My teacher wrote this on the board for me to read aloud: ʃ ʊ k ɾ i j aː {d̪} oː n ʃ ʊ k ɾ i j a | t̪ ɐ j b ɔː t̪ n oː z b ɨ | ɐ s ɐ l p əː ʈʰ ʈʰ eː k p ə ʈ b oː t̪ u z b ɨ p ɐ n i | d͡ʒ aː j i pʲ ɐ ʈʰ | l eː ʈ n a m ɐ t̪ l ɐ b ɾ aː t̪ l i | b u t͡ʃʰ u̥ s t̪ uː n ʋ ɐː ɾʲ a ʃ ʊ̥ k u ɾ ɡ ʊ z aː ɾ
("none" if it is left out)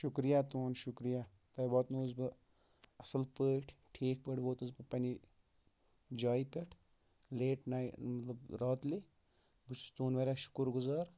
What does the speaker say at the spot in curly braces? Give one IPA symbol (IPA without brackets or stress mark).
t̪